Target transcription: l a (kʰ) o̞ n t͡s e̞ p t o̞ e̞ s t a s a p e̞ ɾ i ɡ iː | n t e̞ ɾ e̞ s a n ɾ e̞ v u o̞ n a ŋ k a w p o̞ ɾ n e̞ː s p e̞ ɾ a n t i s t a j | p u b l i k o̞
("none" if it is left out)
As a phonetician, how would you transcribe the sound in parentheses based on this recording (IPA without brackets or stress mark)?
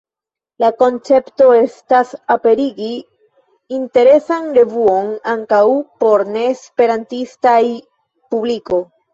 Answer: k